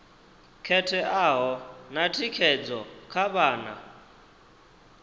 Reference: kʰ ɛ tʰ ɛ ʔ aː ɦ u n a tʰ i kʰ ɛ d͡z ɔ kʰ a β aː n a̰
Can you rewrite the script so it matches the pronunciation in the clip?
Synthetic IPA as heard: kʰ ɛ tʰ ɛ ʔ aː ɦ ɔ n a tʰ i kʰ ɛ d͡z ɔ kʰ a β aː n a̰

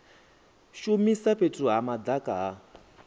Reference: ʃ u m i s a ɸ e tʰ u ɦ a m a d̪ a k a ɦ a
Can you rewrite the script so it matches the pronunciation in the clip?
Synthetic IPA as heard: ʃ u m i s a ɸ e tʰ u ɦ a m a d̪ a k a ɦ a

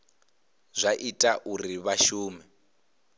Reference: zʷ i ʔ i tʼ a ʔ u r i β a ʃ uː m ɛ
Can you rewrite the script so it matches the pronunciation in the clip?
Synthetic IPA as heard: zʷ a ʔ i tʼ a ʔ u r i β a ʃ uː m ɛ

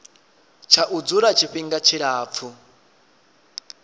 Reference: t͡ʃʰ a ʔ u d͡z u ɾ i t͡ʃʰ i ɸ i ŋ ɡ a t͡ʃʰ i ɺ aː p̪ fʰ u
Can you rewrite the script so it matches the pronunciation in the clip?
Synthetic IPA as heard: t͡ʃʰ a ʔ u d͡z u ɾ a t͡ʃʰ i ɸ i ŋ ɡ a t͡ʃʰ i ɺ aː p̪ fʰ u

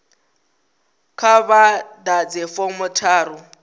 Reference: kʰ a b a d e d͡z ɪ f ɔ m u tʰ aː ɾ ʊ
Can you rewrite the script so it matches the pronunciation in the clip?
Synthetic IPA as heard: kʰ a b a d a d͡z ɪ f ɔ m ʊ tʰ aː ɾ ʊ

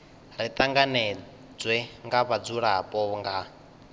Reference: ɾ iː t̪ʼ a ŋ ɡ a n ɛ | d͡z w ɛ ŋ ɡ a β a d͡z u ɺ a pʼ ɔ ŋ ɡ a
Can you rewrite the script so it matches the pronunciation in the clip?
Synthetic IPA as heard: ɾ i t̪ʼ a ŋ ɡ a n ɛ | d͡z w ɛ ŋ ɡ a β a d͡z u ɺ a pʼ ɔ ŋ ɡ a

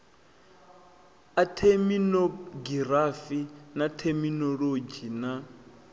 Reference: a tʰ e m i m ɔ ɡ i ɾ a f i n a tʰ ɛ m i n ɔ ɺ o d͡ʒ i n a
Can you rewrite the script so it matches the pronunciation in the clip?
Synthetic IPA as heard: a tʰ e m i n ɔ ɡ i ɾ a f i n a tʰ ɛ m i n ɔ ɺ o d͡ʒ i n a

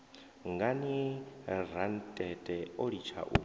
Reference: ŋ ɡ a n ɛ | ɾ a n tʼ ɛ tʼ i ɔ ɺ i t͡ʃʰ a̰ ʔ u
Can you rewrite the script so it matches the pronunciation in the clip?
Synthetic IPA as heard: ŋ ɡ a n i | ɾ a n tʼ ɛ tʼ ɛ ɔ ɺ i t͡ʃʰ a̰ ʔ u

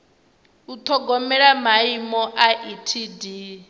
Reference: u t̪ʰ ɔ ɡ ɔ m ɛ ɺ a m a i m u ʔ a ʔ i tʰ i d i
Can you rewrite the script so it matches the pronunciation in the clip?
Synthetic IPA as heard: u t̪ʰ ɔ ɡ ɔ m ɛ ɺ a m a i m ɔ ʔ a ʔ i tʰ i d i

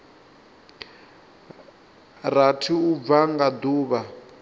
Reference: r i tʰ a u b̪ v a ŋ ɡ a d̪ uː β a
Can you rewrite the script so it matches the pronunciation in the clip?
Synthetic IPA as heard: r a tʰ i u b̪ v a ŋ ɡ a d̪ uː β a

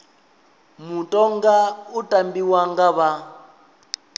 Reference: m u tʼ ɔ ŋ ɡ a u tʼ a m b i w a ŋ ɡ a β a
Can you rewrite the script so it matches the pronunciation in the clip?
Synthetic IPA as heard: m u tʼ ɔ ŋ ɡ a u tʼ a m b i w a ŋ ɡ a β a

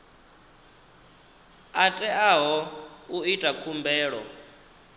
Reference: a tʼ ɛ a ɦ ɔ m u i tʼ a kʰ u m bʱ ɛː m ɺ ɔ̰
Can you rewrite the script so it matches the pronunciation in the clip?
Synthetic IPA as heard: a tʼ ɛ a ɦ ɔ u i tʼ a kʰ u m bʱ ɛː ɺ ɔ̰

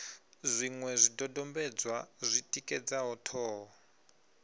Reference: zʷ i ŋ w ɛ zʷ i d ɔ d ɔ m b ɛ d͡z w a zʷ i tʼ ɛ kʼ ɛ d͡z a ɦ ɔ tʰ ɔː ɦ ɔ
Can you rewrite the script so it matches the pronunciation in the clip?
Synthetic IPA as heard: zʷ i ŋ w ɛ zʷ i d ɔ d ɔ m b ɛ d͡z w a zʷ i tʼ i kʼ ɛ d͡z a ɦ ɔ tʰ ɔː ɦ ɔ

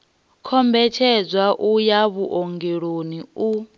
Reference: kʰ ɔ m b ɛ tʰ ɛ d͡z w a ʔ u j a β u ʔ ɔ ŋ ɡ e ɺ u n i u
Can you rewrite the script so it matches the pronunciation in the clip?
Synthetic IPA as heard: kʰ ɔ m b ɛ tʰ ɛ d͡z w a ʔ u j a β u ʔ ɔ ŋ ɡ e ɺ o n i u

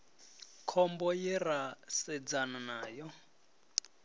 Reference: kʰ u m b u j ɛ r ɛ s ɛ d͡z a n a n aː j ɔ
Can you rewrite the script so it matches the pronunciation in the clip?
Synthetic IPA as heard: kʰ ɔ m b ɔ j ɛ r a s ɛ d͡z a n a n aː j ɔ

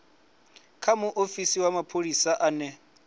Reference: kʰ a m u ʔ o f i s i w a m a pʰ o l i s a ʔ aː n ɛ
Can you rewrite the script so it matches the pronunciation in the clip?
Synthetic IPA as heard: kʰ a m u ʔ o f i s i w a m a pʰ o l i s a ʔ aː n ɛ

